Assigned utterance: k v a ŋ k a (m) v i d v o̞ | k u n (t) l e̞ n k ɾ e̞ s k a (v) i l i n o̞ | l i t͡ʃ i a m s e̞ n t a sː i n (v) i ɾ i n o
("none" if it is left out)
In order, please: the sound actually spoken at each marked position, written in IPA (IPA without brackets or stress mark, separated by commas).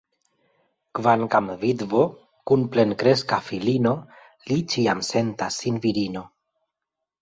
m, p, f, v